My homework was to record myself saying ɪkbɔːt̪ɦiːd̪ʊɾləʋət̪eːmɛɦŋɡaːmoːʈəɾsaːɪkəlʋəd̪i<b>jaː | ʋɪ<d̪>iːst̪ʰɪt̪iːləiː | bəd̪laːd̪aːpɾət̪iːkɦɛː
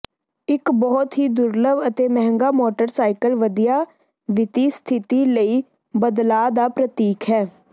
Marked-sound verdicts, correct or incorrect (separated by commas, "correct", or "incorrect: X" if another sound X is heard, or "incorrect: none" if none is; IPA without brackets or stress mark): incorrect: none, incorrect: t̪